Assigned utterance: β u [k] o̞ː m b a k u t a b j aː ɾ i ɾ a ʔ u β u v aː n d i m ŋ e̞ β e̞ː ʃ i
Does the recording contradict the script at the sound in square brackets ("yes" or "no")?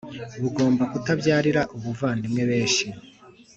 yes